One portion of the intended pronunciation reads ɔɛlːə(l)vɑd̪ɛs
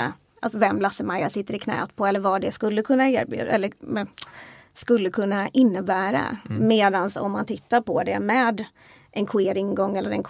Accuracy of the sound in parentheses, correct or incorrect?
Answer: incorrect